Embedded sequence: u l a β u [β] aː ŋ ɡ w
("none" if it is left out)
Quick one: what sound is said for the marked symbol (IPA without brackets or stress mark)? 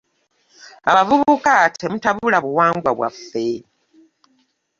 w